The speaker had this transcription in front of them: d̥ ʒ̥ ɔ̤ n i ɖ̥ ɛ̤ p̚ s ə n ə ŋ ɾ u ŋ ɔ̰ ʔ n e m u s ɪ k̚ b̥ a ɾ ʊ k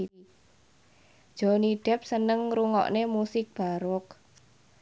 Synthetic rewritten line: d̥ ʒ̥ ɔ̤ n i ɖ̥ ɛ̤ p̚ s ə n ə ŋ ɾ u ŋ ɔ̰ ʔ n e m u s ɪ k̚ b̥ a ɾ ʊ k

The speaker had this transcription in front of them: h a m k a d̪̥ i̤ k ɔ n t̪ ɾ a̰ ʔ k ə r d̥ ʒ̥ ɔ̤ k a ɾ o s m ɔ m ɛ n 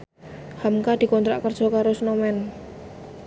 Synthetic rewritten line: h a m k a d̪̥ i̤ k ɔ n t̪ ɾ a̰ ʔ k ə r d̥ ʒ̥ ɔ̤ k a ɾ o s n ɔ m ɛ n

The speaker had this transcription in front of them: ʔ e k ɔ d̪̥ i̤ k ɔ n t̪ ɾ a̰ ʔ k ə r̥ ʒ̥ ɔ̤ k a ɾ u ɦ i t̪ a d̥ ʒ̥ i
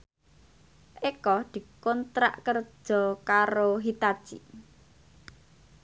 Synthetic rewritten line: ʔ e k ɔ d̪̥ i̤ k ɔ n t̪ ɾ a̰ ʔ k ə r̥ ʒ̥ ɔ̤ k a ɾ o ɦ i t̪ a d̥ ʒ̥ i

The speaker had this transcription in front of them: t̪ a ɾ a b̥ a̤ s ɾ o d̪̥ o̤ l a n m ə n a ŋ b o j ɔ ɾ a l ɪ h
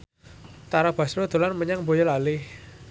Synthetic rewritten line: t̪ a ɾ a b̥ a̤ s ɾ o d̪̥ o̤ l a n m ə ɲ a ŋ b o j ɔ l a l ɪ h

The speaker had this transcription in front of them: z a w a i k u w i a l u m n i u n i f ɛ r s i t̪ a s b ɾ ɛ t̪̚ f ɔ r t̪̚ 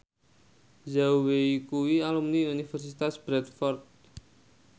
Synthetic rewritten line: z a w e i k u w i a l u m n i u n i f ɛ r s i t̪ a s b ɾ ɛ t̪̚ f ɔ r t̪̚

